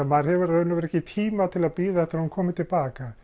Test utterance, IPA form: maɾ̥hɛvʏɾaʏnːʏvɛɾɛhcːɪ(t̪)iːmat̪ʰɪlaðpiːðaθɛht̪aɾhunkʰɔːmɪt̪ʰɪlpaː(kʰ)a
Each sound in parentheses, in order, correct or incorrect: incorrect: t̪ʰ, incorrect: k

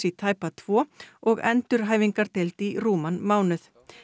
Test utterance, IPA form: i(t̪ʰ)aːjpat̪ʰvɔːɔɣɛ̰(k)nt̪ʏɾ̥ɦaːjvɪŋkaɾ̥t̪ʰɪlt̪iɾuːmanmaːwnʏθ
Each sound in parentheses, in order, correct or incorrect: correct, incorrect: none

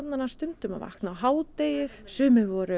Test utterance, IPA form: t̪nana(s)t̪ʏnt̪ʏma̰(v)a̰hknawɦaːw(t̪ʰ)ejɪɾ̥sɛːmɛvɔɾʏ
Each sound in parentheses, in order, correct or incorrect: correct, correct, incorrect: t̪

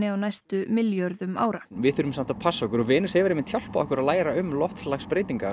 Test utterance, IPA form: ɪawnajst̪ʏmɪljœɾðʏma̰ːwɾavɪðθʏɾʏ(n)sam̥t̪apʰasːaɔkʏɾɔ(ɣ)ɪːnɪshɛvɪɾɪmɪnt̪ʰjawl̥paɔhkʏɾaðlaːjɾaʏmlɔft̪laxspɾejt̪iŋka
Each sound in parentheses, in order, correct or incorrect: incorrect: m, incorrect: v

